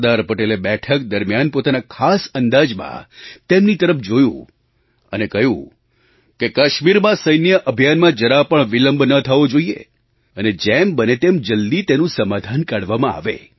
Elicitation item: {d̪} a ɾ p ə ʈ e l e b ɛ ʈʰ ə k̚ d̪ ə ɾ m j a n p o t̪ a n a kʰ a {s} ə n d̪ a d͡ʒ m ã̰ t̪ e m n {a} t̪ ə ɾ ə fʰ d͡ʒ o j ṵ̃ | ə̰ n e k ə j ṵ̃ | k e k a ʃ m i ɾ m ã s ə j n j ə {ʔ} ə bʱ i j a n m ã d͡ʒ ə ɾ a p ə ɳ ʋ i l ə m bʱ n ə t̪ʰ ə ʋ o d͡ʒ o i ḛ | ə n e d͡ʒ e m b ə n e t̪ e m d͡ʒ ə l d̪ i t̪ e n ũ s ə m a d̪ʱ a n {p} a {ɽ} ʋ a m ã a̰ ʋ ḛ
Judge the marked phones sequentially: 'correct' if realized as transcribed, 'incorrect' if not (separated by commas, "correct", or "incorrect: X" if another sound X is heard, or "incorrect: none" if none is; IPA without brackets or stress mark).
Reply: correct, correct, incorrect: i, correct, incorrect: k, correct